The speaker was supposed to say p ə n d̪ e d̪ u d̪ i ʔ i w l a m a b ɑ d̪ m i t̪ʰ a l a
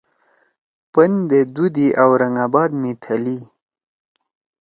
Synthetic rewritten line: p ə n d̪ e d̪ u d̪ i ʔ a w ɾ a ŋ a b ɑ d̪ m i t̪ʰ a l i

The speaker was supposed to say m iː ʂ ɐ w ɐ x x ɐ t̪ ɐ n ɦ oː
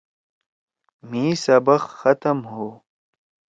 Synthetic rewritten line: m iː s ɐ b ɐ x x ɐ t̪ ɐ m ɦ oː

